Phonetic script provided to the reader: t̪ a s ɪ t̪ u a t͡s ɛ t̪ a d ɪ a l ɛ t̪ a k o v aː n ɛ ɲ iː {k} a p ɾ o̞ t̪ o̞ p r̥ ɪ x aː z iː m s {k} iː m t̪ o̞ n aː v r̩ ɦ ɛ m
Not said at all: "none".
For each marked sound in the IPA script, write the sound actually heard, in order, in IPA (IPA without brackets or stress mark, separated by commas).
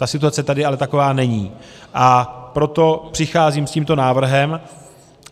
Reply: ʔ, c